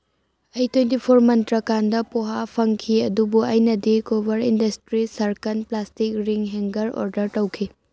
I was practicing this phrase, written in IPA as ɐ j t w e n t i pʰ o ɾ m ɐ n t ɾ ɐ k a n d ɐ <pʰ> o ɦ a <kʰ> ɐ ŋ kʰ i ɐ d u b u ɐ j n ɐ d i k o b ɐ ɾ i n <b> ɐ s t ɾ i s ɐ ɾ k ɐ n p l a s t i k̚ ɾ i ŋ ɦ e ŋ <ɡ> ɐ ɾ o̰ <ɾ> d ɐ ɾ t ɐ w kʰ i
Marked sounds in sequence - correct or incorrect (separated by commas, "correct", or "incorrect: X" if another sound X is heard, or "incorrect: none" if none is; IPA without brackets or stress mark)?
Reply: incorrect: p, incorrect: pʰ, incorrect: d, correct, correct